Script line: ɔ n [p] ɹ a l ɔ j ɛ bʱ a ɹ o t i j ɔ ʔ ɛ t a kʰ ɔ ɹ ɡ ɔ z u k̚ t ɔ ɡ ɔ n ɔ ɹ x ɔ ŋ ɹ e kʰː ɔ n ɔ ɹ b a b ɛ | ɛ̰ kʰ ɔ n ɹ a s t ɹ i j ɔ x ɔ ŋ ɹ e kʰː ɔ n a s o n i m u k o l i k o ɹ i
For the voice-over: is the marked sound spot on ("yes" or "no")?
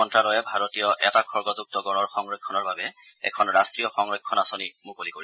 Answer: no